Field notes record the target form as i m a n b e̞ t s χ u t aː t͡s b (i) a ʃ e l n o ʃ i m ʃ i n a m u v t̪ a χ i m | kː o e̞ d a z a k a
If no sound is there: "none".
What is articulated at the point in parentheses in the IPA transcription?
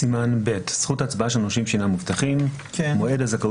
a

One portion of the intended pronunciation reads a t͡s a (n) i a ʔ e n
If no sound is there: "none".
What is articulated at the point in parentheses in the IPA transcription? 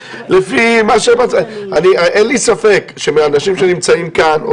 n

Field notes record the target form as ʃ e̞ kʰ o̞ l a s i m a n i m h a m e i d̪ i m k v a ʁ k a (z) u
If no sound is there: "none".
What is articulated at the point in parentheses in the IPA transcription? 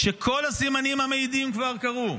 ʁ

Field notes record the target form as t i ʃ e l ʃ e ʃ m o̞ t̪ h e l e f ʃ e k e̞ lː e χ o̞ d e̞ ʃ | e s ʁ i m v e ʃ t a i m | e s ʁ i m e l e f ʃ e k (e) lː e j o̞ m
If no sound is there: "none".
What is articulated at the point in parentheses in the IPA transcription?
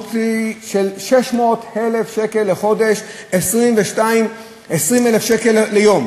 e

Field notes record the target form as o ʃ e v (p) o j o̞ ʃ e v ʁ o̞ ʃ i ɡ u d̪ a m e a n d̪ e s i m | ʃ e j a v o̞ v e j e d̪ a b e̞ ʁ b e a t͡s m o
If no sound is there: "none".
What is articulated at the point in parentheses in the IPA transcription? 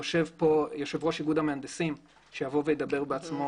p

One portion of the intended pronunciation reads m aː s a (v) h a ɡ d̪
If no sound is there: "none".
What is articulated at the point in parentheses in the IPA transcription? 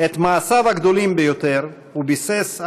v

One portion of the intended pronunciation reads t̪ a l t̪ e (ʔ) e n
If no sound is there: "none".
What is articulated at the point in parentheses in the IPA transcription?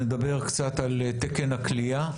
k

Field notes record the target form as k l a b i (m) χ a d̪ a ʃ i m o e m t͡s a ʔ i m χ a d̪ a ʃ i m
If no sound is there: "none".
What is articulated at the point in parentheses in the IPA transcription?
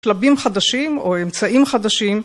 m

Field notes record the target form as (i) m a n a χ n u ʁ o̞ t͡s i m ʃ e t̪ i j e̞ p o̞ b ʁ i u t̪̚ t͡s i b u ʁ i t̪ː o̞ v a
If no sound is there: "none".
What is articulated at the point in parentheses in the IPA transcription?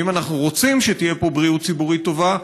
i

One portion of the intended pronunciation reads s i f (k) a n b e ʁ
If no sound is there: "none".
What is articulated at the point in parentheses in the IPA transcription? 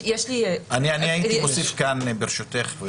k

